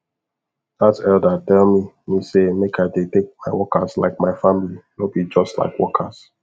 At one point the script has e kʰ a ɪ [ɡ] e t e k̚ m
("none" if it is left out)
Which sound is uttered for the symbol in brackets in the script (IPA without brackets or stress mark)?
d